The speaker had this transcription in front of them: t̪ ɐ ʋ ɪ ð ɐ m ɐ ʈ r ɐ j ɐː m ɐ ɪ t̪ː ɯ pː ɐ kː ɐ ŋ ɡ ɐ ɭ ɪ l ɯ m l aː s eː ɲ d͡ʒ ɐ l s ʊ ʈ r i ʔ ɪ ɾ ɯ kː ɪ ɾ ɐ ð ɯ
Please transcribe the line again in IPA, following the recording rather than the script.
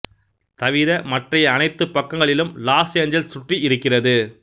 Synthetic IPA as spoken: t̪ ɐ ʋ ɪ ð ɐ m ɐ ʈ r ɐ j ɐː n ɐ ɪ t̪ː ɯ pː ɐ kː ɐ ŋ ɡ ɐ ɭ ɪ l ɯ m l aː s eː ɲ d͡ʒ ɐ l s ʊ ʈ r i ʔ ɪ ɾ ɯ kː ɪ r ɐ ð ɯ

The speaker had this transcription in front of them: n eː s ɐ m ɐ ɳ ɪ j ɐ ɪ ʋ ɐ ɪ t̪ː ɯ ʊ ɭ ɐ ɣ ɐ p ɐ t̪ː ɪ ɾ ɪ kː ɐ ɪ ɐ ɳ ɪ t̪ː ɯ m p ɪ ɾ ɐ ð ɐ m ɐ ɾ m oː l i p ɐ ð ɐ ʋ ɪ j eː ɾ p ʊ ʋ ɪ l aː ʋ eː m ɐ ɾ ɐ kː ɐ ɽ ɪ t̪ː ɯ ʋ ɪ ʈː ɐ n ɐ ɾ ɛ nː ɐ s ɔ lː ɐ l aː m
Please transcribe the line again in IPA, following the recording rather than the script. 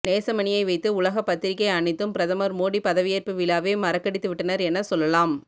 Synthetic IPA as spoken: n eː s ɐ m ɐ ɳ ɪ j ɐ ɪ ʋ ɐ ɪ t̪ː ɯ ʊ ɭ ɐ ɣ ɐ p ɐ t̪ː ɪ ɾ ɪ kː ɐ ɪ ɐ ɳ ɪ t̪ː ɯ m p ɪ ɾ ɐ ð ɐ m ɐ ɾ m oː ɽ i p ɐ ð ɐ ʋ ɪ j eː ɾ p ɯ ʋ ɪ l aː ʋ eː m ɐ ɾ ɐ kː ɐ ɽ ɪ t̪ː ɯ ʋ ɪ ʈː ɐ n ɐ ɾ ɛ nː ɐ s ɔ lː ɐ l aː m

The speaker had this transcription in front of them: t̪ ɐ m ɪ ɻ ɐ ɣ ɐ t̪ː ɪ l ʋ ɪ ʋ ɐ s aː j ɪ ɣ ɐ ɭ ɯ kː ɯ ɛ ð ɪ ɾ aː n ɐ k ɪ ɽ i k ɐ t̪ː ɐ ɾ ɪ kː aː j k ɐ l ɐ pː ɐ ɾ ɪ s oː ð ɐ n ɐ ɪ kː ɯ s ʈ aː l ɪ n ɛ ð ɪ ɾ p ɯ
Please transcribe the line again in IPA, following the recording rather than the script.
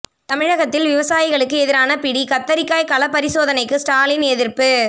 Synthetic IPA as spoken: t̪ ɐ m ɪ ɻ ɐ ɣ ɐ t̪ː ɪ l ʋ ɪ ʋ ɐ s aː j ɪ ɣ ɐ ɭ ɯ kː ɯ ɛ ð ɪ ɾ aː n ɐ p ɪ ɽ i k ɐ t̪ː ɐ ɾ ɪ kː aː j k ɐ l ɐ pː ɐ ɾ ɪ s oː ð ɐ n ɐ ɪ kː ɯ s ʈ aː l ɪ n ɛ ð ɪ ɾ p ɯ

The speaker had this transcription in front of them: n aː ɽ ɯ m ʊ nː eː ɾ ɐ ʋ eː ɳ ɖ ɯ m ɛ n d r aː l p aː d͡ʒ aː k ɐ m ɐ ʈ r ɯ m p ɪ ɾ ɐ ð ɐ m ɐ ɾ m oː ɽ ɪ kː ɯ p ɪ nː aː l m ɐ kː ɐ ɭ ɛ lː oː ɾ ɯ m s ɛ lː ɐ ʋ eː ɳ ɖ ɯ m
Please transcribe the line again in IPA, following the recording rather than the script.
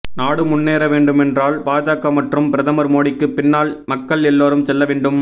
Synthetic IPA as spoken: n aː ɽ ɯ m ʊ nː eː ɾ ɐ ʋ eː ɳ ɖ ɯ m ɛ n d r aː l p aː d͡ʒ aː k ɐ m ɐ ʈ r ɯ m p ɪ ɾ ɐ ð ɐ m ɐ ɾ m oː ɽ ɪ kː ɯ p ɪ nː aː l m ɐ kː ɐ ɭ ɛ lː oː ɾ ɯ m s ɛ lː ɐ ʋ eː ɳ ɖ ɯ m

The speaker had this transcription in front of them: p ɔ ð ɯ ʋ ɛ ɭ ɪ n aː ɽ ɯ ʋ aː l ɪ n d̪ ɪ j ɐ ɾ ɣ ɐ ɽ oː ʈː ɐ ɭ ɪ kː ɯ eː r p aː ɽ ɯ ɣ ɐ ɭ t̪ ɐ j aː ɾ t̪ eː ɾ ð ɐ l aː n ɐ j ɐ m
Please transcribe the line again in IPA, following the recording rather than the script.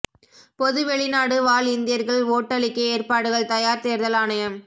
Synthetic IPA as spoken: p ɔ ð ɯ ʋ ɛ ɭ ɪ n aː ɽ ɯ ʋ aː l ɪ n d̪ ɪ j ɐ ɾ ɣ ɐ ɭ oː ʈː ɐ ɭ ɪ kː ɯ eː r p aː ɽ ɯ ɣ ɐ ɭ t̪ ɐ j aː ɾ t̪ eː ɾ ð ɐ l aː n ɐ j ɐ m

